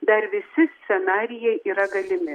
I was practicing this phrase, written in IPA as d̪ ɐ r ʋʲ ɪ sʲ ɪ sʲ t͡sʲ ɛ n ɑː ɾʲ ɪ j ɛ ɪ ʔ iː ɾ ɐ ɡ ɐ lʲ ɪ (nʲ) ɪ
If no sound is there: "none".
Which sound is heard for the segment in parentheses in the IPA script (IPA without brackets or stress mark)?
mʲ